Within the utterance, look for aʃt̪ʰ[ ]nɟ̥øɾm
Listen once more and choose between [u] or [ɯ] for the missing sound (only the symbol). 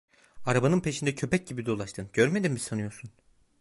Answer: ɯ